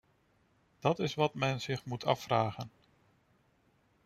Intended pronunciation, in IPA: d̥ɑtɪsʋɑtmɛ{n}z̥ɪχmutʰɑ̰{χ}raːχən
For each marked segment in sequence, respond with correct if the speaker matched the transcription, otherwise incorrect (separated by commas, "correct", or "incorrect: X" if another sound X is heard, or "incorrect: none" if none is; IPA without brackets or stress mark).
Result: correct, incorrect: f